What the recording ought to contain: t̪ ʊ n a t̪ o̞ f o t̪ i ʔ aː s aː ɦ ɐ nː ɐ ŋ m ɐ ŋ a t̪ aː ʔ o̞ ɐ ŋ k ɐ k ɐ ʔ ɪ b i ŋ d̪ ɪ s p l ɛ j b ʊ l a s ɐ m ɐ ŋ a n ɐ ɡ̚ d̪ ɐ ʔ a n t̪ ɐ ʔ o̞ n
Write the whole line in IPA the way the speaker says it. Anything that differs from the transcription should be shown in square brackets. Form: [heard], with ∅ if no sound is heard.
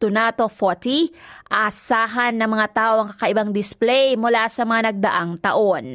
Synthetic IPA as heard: t̪ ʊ n a t̪ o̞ f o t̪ i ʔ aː s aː ɦ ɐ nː ɐ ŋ m ɐ ŋ a t̪ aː ʔ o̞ ɐ ŋ k ɐ k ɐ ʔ ɪ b [a] ŋ d̪ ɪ s p l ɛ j [m] ʊ l a s ɐ m ɐ ŋ a n ɐ ɡ̚ d̪ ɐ ʔ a [ŋ] t̪ ɐ ʔ o̞ n